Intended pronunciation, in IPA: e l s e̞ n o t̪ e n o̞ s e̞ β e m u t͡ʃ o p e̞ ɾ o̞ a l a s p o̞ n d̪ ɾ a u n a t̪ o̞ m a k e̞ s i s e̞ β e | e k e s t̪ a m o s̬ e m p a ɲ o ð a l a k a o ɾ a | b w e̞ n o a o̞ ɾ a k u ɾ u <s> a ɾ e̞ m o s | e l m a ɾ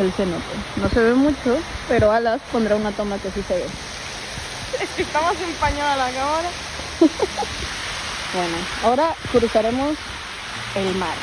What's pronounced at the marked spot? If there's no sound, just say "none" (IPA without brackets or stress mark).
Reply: s